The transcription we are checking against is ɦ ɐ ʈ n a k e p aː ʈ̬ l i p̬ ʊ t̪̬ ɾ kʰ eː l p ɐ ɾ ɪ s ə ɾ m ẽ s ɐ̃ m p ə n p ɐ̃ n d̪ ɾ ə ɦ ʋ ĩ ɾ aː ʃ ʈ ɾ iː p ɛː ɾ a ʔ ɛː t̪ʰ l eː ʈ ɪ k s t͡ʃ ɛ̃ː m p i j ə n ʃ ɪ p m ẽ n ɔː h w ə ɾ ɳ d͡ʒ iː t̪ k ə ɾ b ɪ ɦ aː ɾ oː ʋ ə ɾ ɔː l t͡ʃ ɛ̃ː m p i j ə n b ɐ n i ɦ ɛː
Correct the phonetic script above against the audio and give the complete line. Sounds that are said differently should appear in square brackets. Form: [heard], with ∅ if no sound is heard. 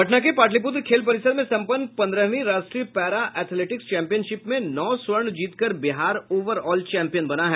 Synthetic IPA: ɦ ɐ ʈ n a k e p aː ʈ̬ l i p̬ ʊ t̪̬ ɾ kʰ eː l p ɐ ɾ ɪ s ə ɾ m ẽ s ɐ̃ m p ə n p ɐ̃ n d̪ ɾ ə ɦ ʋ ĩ ɾ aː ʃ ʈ ɾ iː p ɛː ɾ a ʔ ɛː t̪ʰ l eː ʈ ɪ k s t͡ʃ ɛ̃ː m p i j ə n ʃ ɪ p m ẽ n ɔː [s] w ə ɾ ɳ d͡ʒ iː t̪ k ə ɾ b ɪ ɦ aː ɾ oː ʋ ə ɾ ɔː l t͡ʃ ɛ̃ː m p i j ə n b ɐ n [a] ɦ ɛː